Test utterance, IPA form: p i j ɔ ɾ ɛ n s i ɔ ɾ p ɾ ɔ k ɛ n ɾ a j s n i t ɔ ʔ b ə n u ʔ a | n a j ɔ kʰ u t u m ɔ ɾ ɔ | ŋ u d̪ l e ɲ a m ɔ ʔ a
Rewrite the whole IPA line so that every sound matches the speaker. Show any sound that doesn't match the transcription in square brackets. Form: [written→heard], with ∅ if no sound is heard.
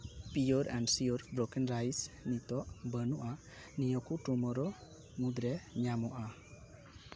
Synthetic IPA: p i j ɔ ɾ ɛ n s i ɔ ɾ [p→b] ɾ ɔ k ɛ n ɾ a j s n i t ɔ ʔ b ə n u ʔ a | n [a→i] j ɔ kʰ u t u m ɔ ɾ ɔ | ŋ u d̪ [l→ɾ] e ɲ a m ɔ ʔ a